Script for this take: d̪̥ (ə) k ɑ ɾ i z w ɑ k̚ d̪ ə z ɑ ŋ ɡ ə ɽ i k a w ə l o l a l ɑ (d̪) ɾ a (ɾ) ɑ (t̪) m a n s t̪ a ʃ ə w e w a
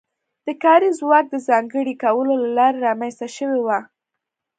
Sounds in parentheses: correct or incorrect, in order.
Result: correct, incorrect: none, correct, incorrect: none

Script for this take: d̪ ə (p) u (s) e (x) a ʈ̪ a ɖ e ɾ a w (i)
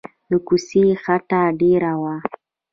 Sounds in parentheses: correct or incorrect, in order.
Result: incorrect: k, correct, correct, incorrect: a

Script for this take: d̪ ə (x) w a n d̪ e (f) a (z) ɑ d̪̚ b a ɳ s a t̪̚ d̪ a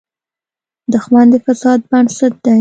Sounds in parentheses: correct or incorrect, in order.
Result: correct, correct, incorrect: s

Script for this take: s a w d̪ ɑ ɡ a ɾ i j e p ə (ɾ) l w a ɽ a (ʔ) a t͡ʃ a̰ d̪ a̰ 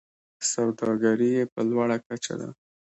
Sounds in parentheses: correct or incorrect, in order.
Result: incorrect: none, incorrect: k

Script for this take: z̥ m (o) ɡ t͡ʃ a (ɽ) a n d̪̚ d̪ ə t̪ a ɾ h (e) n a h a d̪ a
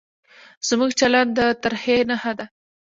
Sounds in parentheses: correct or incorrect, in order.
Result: incorrect: u, incorrect: l, correct

